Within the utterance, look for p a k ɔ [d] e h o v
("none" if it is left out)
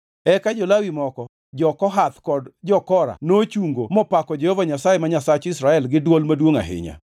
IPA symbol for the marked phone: d͡ʒ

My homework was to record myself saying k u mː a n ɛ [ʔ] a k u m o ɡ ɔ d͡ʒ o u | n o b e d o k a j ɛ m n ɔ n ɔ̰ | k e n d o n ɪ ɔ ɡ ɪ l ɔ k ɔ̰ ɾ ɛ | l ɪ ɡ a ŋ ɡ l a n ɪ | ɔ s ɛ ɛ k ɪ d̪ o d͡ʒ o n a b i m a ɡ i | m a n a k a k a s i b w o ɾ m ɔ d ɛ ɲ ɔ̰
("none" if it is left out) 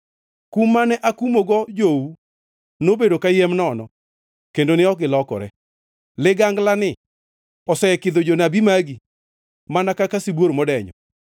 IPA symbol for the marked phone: ʔ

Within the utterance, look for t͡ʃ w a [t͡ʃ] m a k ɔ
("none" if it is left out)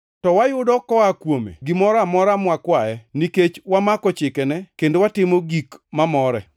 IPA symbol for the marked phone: none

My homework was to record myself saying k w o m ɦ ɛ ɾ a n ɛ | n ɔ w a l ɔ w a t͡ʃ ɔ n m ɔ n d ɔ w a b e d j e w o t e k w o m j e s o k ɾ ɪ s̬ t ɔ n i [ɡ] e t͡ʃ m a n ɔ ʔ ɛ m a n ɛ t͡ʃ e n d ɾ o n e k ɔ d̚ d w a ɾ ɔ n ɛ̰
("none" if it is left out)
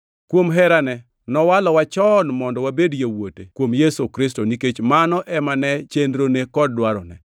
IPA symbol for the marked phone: k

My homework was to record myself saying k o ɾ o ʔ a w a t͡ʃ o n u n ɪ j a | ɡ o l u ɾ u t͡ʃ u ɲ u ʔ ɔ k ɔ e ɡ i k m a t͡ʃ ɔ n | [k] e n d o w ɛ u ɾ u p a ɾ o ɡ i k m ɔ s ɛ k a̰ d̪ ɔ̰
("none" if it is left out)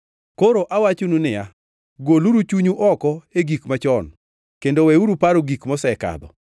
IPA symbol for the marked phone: k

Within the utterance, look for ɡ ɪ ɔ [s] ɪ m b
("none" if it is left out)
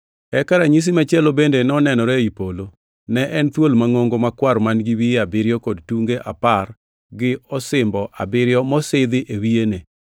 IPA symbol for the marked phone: s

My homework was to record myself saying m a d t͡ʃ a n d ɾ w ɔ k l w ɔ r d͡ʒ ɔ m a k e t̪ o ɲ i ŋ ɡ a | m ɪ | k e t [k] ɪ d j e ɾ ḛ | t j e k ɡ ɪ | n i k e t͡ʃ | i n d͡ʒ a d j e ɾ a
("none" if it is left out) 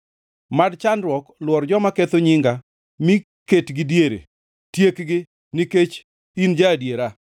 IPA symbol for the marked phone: ɡ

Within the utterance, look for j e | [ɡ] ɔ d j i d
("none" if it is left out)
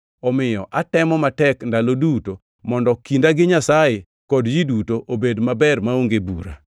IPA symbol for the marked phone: k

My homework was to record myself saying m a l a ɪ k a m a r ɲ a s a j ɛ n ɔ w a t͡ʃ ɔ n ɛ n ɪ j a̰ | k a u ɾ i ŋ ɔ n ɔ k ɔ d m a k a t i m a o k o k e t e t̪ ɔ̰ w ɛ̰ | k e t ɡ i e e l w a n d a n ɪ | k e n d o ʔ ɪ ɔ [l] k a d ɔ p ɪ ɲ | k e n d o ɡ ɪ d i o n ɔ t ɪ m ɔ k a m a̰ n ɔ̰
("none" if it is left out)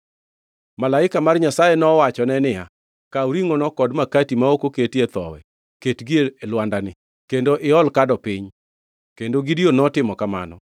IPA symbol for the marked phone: l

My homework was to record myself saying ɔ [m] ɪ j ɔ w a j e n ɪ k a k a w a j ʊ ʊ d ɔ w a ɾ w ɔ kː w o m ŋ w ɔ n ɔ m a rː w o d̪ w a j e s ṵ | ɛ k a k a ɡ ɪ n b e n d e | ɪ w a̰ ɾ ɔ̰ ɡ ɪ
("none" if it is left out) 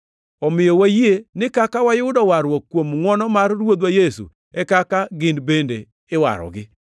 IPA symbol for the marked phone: m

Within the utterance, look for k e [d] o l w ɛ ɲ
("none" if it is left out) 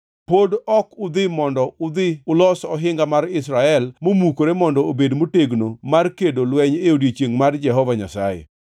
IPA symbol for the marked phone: d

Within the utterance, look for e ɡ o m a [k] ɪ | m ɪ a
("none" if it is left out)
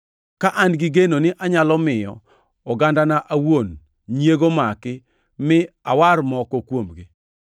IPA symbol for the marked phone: k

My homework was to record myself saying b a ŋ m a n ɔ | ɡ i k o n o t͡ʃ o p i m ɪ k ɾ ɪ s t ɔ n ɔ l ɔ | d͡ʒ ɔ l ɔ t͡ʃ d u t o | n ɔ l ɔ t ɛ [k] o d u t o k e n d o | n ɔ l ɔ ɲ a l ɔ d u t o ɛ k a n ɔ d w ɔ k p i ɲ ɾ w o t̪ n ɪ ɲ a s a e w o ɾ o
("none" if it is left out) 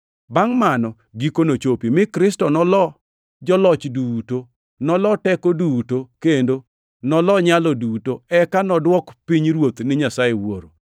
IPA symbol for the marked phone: k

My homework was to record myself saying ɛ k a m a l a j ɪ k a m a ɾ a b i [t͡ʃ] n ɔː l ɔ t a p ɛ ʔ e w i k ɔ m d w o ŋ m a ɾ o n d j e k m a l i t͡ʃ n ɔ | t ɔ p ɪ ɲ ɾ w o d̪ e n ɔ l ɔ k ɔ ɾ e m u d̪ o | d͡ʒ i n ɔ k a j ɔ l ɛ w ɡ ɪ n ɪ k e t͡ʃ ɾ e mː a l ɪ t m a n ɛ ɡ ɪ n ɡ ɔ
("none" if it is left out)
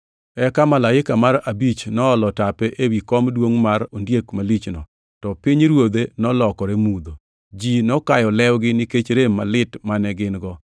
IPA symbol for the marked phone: t͡ʃ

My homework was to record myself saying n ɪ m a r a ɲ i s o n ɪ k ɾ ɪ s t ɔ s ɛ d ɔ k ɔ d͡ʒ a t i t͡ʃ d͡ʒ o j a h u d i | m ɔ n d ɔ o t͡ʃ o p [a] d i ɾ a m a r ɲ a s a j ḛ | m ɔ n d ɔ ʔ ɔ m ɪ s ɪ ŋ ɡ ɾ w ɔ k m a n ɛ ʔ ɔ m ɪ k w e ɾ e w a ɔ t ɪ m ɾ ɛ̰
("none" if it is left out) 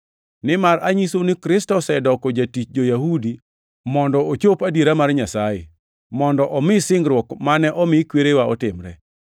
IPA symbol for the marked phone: a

